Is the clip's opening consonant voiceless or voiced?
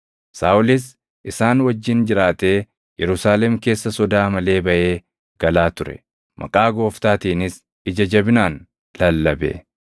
voiceless